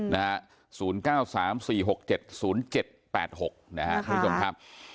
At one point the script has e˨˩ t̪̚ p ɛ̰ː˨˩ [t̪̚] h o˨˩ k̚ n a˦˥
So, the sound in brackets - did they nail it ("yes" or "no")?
yes